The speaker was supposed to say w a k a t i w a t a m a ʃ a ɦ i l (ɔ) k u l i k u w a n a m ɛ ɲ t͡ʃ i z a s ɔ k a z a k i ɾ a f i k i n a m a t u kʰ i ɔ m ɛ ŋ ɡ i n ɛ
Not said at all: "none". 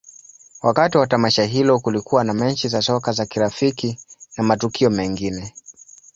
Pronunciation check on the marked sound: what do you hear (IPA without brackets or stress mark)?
ɔ